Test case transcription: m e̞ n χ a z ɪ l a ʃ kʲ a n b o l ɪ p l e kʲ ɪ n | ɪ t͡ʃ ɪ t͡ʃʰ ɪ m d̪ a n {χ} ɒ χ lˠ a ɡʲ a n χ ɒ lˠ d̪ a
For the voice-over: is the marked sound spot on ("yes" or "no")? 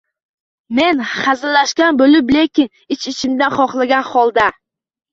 yes